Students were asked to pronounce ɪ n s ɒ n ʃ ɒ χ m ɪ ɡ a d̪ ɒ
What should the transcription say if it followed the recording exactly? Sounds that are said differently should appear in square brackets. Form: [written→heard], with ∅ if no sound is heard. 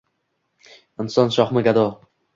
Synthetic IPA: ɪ n s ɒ n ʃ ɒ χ m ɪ ɡ a d̪ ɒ